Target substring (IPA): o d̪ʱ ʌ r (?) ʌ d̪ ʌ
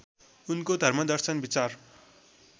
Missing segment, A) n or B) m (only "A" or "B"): B